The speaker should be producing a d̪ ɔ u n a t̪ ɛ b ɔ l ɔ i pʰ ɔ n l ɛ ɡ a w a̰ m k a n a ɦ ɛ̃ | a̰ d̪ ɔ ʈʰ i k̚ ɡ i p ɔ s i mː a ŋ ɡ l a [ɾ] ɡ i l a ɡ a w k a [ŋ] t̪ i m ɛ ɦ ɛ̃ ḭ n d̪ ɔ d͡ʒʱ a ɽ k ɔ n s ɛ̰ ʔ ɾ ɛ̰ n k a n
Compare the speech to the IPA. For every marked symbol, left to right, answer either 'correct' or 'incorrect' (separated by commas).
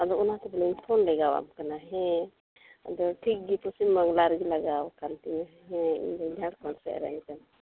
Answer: correct, incorrect